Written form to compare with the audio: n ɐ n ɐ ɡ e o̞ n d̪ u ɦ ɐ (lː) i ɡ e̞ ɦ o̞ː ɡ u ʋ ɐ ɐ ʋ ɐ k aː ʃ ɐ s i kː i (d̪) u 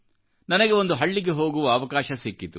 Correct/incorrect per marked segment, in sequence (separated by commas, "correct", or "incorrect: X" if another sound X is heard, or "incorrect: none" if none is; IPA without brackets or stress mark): incorrect: ɭː, incorrect: t̪